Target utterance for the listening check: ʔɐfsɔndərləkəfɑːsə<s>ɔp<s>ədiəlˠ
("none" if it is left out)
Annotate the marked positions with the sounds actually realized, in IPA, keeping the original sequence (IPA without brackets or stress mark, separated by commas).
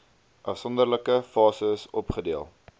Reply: s, χ